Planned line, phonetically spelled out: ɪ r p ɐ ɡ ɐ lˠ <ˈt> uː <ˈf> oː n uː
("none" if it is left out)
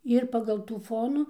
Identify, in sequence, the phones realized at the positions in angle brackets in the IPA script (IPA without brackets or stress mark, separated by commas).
t, f